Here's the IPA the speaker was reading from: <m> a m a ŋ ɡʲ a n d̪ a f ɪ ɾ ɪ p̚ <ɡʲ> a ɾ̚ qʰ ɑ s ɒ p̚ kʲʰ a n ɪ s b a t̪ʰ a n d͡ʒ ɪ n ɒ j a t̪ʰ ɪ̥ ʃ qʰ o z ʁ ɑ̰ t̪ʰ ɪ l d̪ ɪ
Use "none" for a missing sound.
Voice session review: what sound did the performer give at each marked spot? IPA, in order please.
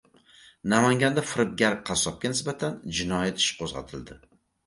n, ɡʲ

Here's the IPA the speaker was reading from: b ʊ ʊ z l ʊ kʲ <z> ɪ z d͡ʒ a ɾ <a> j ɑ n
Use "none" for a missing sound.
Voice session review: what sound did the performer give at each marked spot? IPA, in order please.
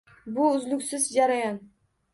s, a

